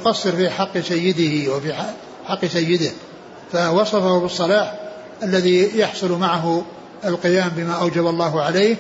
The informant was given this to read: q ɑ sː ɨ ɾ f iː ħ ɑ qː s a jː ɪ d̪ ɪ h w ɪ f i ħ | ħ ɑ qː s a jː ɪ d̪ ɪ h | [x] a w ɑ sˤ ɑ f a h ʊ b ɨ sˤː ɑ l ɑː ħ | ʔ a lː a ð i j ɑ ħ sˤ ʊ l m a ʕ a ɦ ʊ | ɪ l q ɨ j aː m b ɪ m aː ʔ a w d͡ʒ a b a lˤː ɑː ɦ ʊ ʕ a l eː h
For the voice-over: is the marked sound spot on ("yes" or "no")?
no